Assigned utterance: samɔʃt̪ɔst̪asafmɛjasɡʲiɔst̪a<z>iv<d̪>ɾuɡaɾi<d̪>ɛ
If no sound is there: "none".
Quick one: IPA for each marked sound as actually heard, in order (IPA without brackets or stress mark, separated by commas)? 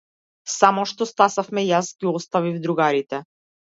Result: v, d̪, t̪